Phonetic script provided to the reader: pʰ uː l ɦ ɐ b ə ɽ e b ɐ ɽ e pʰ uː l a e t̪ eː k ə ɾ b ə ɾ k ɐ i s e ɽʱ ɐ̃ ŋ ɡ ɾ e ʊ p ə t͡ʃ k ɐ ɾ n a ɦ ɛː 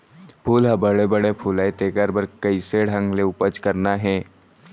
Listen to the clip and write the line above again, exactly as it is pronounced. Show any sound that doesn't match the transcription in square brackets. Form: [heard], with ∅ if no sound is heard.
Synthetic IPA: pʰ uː l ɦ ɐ b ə ɽ e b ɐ ɽ e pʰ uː l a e t̪ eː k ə ɾ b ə ɾ k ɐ i s e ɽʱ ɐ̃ ŋ ɡ [l] e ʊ p ə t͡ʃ k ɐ ɾ n a ɦ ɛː